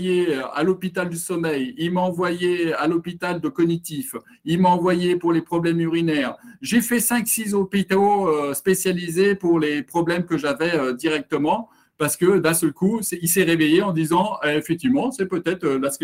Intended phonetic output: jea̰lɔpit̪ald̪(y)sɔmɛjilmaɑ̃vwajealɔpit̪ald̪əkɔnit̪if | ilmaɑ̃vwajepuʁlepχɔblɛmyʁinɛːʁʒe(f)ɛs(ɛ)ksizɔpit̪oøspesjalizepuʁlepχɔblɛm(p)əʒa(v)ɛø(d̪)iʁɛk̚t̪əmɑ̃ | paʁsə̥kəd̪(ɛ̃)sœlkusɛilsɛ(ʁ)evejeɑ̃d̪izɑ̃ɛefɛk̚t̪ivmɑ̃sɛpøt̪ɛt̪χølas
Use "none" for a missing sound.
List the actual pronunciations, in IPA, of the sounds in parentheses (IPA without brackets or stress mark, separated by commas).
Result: y, f, ɛ̃, k, v, d̪, ɛ̃, ʁ